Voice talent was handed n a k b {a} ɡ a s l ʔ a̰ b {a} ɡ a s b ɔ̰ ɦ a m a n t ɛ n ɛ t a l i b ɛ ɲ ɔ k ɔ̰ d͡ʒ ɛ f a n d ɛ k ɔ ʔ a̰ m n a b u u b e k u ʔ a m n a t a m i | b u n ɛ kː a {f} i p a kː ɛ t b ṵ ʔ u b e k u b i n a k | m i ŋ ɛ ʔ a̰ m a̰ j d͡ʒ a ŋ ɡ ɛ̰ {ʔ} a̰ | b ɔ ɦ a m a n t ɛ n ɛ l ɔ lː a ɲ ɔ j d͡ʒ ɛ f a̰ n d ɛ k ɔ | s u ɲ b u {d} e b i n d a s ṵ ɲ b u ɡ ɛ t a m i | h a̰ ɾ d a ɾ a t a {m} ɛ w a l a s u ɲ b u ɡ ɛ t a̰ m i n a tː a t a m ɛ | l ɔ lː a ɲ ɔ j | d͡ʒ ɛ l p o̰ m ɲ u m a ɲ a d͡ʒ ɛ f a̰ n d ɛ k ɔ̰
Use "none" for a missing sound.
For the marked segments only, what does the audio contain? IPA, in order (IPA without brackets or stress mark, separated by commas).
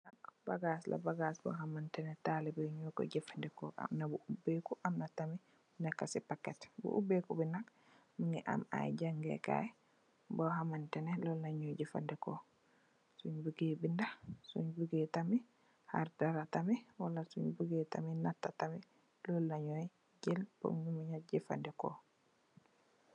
a, a, s, k, ɡ, m